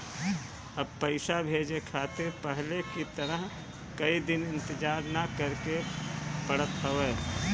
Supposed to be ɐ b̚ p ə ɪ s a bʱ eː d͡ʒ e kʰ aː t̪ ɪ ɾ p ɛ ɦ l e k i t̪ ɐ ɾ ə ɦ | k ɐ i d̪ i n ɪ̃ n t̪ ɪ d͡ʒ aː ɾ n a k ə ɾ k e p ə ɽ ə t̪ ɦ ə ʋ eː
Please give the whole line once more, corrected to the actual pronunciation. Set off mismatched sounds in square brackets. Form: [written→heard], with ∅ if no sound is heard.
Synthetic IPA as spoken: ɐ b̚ p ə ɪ s a bʱ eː d͡ʒ e kʰ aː t̪ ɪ ɾ p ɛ ɦ l e k i t̪ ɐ ɾ ə ɦ | k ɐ i d̪ [i→ɪ] n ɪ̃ n t̪ ɪ d͡ʒ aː ɾ n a k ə ɾ k e p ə ɽ ə t̪ ɦ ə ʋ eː